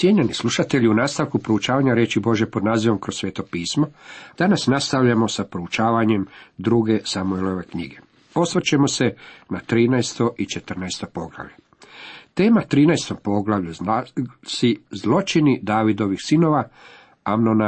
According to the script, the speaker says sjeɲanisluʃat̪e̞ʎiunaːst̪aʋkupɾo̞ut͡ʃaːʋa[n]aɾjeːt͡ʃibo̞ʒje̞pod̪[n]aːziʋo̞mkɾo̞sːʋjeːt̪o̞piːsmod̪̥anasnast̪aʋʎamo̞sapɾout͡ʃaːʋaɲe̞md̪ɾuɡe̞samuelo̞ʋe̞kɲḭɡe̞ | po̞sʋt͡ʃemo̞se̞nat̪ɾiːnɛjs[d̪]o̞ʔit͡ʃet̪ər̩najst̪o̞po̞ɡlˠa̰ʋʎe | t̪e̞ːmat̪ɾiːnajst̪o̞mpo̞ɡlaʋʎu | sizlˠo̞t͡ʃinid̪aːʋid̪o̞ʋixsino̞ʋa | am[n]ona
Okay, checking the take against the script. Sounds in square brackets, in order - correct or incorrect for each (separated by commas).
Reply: incorrect, correct, incorrect, correct